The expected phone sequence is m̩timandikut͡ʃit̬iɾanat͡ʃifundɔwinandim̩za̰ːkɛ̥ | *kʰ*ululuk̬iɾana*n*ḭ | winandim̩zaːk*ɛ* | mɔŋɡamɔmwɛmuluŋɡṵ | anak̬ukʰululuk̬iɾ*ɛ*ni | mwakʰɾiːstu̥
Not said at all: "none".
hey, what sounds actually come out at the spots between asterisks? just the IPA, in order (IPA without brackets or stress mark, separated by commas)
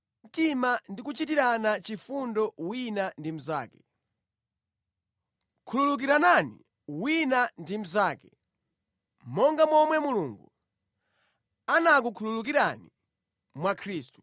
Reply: kʰ, n, ɛ, a